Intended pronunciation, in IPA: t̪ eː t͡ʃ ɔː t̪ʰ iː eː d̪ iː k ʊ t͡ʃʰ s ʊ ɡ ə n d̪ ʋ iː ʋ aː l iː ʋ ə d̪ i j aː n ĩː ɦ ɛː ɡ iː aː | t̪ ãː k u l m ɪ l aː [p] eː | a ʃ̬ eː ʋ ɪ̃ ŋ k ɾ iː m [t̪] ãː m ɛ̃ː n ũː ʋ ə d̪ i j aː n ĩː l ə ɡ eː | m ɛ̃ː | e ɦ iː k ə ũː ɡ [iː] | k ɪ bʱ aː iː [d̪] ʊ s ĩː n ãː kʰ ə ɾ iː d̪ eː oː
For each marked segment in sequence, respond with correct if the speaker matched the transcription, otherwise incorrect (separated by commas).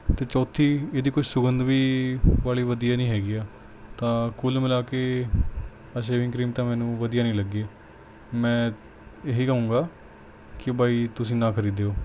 incorrect, correct, incorrect, incorrect